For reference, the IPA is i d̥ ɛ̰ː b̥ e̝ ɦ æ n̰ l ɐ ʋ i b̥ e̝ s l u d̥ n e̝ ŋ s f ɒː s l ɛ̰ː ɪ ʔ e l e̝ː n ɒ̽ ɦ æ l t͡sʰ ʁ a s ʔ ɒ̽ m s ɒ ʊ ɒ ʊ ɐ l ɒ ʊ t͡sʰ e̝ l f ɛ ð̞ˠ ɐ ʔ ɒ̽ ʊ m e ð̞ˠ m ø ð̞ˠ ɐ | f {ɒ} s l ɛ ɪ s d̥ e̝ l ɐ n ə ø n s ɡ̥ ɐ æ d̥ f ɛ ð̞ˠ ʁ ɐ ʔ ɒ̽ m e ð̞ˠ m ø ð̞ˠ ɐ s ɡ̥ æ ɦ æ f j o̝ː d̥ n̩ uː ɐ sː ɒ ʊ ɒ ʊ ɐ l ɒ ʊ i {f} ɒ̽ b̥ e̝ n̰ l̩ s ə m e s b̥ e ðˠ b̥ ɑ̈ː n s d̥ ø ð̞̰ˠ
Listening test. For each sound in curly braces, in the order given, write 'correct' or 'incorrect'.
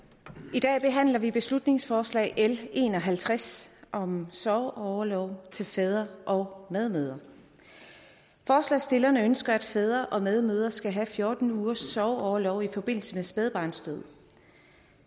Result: incorrect: ɒː, correct

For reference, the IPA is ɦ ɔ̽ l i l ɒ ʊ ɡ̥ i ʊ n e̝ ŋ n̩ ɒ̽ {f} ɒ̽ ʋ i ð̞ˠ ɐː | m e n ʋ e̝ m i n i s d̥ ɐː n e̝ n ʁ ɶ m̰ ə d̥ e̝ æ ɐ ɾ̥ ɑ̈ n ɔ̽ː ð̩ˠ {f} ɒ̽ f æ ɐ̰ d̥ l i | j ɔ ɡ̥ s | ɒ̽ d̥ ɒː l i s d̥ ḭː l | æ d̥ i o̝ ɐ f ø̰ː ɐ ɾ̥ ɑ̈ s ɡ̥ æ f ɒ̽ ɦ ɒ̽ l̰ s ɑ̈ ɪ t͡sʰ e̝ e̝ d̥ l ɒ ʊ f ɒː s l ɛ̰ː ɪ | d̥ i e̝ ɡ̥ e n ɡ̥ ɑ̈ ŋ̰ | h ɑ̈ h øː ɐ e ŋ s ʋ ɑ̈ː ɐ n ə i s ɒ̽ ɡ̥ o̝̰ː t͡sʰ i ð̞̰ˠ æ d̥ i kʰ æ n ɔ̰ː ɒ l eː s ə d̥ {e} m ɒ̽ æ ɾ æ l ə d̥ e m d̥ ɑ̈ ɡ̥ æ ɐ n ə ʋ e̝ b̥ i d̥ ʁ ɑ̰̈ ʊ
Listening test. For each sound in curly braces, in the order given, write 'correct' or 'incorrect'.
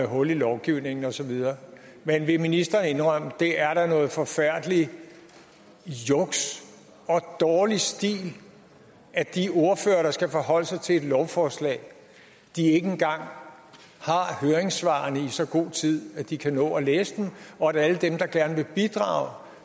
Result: incorrect: s, correct, correct

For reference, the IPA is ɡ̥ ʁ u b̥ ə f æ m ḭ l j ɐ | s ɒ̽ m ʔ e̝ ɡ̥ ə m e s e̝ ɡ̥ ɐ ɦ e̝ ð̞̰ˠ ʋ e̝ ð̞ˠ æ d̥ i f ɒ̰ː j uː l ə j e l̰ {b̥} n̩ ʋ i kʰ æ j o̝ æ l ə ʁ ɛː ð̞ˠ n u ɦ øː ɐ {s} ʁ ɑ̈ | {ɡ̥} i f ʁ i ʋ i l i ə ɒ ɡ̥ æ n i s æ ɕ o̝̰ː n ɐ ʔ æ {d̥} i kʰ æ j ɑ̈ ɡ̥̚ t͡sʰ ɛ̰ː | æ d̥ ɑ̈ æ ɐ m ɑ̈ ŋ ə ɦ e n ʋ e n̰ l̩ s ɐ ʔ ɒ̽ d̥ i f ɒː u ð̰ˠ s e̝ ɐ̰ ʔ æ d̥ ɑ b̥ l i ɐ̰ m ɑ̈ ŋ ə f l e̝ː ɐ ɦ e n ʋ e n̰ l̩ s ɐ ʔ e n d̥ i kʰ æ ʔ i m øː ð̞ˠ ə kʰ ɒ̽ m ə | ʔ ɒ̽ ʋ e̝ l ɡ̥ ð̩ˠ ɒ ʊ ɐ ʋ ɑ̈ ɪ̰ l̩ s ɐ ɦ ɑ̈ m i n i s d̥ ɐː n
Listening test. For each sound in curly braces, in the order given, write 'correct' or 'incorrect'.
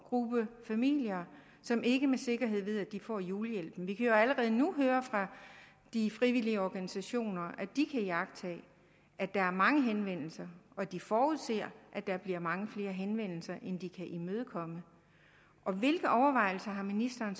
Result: correct, incorrect: f, incorrect: d̥, correct

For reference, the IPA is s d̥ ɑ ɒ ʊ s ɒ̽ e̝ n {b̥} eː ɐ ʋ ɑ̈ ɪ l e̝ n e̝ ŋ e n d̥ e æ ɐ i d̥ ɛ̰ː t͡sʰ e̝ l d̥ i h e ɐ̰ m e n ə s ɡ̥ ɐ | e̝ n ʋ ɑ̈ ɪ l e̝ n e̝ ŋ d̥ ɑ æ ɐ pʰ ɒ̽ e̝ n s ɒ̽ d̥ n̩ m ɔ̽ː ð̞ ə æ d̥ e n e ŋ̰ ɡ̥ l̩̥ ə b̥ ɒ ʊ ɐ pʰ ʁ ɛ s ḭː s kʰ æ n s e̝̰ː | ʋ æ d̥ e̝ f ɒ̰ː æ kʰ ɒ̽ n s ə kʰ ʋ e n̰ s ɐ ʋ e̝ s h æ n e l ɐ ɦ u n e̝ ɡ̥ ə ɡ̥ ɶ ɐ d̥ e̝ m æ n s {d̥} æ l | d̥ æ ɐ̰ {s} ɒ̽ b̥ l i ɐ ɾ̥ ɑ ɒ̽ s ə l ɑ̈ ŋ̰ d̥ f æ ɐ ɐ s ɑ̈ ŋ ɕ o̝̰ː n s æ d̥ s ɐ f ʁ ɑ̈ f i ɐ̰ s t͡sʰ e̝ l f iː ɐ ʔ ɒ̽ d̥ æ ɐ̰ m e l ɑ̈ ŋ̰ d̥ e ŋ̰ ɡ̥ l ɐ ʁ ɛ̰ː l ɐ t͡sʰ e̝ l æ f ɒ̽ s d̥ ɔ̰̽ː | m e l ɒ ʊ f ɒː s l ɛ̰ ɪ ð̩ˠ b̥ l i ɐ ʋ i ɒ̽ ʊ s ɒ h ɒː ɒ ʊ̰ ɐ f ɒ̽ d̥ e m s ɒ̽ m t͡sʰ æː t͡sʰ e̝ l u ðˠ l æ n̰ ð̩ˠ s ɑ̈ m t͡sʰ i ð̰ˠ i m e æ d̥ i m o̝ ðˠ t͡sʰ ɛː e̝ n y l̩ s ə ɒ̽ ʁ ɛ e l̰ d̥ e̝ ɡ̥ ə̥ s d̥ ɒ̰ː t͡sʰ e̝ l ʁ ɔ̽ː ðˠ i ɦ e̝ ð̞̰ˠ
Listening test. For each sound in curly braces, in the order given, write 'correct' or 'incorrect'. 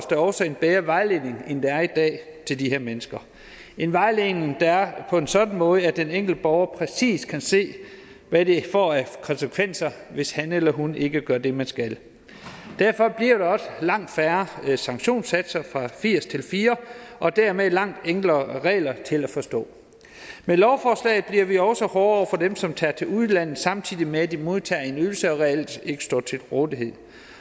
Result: correct, incorrect: ɡ̥, incorrect: f

